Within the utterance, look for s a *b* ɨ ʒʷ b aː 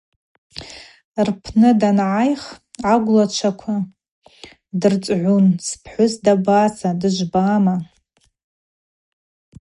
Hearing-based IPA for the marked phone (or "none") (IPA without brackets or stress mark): d